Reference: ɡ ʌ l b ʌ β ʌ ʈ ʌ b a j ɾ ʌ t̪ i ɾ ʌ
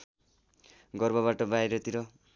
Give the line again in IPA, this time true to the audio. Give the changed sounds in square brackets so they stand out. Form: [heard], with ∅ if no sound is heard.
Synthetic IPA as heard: ɡ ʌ [r] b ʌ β [a] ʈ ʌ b a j ɾ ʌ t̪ i ɾ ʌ